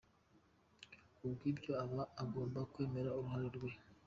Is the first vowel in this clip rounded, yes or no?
yes